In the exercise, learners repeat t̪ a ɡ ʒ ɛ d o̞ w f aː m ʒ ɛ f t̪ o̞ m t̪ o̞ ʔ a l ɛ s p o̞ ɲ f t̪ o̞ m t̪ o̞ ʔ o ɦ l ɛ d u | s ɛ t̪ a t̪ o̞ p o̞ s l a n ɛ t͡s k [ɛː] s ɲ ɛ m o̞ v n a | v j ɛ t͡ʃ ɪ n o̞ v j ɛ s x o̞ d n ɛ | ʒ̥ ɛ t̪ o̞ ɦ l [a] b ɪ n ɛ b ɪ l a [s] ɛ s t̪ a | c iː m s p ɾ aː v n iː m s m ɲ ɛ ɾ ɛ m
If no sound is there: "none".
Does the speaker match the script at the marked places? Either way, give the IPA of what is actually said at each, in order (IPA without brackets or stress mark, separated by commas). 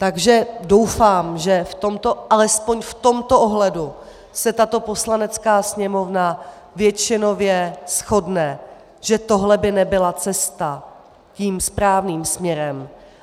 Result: aː, ɛ, t͡s